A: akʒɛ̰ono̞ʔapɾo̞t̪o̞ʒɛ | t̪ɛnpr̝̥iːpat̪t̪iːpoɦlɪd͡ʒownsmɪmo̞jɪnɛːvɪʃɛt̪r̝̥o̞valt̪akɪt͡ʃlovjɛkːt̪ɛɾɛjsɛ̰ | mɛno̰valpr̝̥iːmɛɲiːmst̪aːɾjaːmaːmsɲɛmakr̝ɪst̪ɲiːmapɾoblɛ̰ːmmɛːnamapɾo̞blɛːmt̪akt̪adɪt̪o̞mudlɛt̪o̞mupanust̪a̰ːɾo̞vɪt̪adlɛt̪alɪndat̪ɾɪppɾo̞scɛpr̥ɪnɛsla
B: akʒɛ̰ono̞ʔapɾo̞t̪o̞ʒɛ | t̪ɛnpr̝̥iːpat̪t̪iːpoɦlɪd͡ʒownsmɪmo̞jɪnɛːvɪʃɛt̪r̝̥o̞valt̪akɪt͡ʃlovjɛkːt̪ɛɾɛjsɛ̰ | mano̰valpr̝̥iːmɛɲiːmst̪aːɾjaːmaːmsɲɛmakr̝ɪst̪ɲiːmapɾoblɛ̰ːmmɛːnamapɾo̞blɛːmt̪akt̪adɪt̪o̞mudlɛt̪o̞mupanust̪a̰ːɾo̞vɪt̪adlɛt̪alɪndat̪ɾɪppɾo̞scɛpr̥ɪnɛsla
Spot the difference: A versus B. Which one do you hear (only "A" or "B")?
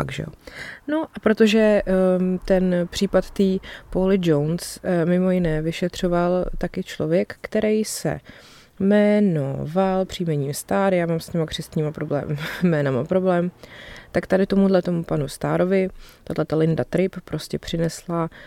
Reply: A